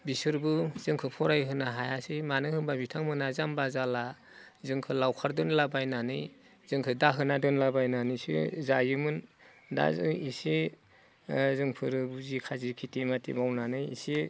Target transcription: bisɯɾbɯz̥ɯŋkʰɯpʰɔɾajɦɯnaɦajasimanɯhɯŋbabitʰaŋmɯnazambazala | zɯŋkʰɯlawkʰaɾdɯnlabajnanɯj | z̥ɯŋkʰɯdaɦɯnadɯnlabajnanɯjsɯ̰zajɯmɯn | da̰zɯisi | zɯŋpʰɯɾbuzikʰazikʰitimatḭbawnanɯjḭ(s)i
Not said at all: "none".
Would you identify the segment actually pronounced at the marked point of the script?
s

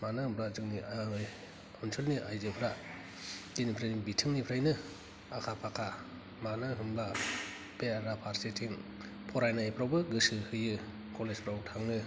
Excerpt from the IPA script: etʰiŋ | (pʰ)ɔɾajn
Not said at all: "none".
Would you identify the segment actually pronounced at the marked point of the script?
pʰ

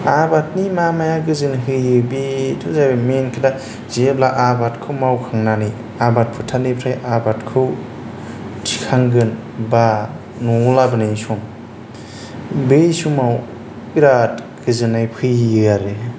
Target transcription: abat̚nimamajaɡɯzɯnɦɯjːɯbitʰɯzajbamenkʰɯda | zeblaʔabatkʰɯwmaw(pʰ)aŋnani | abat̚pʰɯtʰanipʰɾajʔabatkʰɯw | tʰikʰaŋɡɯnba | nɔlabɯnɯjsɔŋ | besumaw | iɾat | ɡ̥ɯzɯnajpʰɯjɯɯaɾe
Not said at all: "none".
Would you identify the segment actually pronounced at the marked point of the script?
kʰ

